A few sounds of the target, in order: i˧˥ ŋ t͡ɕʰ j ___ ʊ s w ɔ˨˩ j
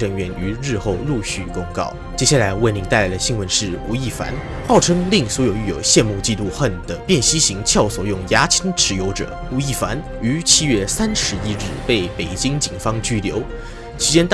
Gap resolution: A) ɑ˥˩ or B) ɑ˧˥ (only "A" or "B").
A